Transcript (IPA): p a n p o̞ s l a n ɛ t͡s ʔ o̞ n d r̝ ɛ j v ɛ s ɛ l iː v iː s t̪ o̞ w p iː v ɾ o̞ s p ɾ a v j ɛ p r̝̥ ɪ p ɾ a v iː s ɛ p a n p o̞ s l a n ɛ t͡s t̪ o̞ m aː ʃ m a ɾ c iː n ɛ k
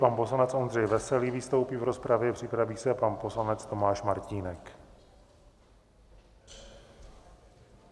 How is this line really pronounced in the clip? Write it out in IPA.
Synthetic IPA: p a n p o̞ s l a n ɛ t͡s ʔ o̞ n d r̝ ɛ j v ɛ s ɛ l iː v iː s t̪ o̞ w p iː v ɾ o̞ s p ɾ a v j ɛ p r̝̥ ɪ p ɾ a v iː s ɛ p a n p o̞ s l a n ɛ t͡s t̪ o̞ m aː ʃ m a ɾ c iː n ɛ k